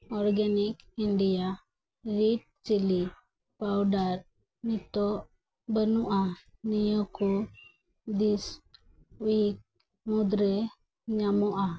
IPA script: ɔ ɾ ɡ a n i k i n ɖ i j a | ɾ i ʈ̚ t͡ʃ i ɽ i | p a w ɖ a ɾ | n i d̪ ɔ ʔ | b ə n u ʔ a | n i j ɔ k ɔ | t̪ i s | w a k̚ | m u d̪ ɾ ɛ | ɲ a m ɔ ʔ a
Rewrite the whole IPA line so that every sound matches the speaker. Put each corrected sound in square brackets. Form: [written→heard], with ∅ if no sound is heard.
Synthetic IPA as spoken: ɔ ɾ ɡ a n i k i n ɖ i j a | ɾ i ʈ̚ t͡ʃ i [ɽ→l] i | p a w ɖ a ɾ | n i [d̪→t̪] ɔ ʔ | b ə n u ʔ a | n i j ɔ k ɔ | [t̪→d̪] i s | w [a→i] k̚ | m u d̪ ɾ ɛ | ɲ a m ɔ ʔ a

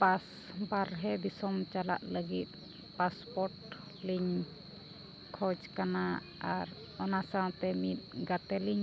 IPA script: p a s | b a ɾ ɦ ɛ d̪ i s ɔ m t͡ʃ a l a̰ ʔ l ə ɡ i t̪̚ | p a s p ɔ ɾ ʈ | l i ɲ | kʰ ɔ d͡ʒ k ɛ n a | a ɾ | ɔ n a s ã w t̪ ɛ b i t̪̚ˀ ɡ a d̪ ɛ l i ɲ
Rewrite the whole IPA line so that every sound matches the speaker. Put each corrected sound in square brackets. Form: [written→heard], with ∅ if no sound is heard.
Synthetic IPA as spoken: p a s | b a ɾ ɦ ɛ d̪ i s ɔ m t͡ʃ a l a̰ ʔ l ə ɡ i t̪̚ | p a s p ɔ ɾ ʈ | l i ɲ | kʰ ɔ d͡ʒ k [ɛ→a] n a | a ɾ | ɔ n a s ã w t̪ ɛ [b→m] i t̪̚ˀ ɡ a [d̪→t̪] ɛ l i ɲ

